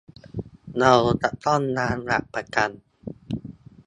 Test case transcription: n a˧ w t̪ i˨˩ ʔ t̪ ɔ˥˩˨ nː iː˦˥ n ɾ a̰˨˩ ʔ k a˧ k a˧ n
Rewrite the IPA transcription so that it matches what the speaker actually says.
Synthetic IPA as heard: n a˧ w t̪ a˨˩ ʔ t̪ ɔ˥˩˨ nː aː˦˥ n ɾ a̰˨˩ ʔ p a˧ k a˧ n